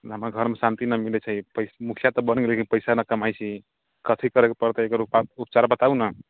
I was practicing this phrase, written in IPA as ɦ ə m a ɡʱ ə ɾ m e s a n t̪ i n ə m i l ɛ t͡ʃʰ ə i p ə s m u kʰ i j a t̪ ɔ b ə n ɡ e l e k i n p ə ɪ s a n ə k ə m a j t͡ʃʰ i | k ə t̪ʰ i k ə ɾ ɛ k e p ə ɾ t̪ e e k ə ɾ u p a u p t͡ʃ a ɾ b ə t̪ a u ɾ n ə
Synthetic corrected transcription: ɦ ə m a ɡʱ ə ɾ m e s a n t̪ i n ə m i l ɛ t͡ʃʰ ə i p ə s m u kʰ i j a t̪ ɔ b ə n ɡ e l e k i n p ə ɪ s a n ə k ə m a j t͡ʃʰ i | k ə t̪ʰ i k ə ɾ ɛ k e p ə ɾ t̪ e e k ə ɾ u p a u p t͡ʃ a ɾ b ə t̪ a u n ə